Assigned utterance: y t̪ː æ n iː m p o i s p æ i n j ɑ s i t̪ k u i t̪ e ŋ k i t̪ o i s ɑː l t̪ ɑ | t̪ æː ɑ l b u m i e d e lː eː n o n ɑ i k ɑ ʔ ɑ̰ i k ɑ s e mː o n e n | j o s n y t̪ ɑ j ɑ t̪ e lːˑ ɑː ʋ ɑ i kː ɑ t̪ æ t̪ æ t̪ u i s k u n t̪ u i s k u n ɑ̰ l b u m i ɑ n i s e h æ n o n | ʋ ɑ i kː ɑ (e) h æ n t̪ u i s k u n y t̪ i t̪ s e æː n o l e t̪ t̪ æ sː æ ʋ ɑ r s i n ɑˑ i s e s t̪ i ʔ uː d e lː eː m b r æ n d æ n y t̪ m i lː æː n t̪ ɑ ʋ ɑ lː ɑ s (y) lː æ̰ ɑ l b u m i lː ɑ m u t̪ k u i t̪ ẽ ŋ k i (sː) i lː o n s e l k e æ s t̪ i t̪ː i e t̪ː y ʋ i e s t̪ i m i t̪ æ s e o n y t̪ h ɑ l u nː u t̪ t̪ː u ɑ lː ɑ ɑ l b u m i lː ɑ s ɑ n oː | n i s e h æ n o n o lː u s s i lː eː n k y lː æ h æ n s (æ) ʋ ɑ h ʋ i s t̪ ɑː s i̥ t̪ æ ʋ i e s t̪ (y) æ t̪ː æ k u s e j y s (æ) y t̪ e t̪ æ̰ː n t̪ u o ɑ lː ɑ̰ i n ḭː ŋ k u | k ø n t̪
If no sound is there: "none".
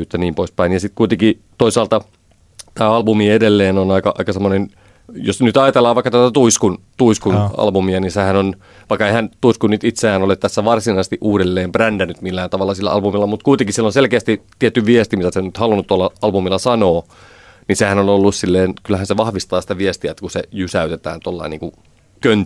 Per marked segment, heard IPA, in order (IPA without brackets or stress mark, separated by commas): e, i, s, e, i, æ